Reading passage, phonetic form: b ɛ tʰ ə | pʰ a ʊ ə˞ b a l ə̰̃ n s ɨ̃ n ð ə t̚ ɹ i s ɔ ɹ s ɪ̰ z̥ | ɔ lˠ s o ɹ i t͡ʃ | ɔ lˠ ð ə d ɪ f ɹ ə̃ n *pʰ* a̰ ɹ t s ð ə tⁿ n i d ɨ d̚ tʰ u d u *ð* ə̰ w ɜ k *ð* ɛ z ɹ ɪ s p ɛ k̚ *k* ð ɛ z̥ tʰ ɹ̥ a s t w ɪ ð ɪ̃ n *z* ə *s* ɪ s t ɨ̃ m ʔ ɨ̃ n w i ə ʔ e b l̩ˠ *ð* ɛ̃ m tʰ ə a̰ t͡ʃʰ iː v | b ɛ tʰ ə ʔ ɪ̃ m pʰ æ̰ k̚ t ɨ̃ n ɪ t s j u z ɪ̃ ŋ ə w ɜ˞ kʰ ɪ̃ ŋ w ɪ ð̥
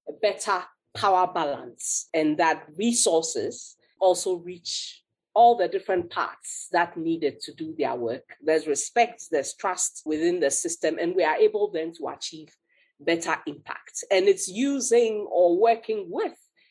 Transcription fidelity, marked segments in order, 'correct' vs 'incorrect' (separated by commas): correct, correct, correct, incorrect, incorrect, correct, correct